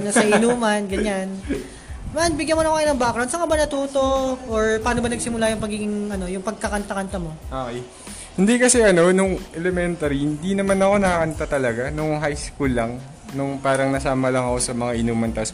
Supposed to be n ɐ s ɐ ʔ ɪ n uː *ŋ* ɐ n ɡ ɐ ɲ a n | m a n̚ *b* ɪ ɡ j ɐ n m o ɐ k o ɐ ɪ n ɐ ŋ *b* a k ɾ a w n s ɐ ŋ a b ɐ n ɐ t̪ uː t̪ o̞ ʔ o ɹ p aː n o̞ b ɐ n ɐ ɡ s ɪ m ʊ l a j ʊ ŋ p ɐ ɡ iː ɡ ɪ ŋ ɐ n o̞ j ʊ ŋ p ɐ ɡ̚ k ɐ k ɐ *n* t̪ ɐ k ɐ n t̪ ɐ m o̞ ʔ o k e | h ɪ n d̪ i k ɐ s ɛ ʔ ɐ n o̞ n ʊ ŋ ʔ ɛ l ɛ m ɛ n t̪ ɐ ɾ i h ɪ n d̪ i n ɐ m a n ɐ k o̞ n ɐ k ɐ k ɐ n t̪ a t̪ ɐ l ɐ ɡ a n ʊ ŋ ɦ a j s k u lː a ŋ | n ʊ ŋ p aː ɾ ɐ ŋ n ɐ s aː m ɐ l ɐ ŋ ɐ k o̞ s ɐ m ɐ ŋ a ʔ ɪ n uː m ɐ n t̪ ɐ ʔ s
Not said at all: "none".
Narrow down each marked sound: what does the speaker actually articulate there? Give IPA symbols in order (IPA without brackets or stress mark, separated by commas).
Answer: m, b, b, n